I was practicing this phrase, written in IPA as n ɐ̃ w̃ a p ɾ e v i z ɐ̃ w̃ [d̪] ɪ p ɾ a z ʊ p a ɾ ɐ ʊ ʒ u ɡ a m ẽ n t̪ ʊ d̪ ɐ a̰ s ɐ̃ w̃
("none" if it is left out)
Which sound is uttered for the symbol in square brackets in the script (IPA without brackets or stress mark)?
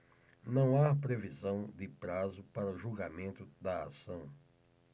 d̪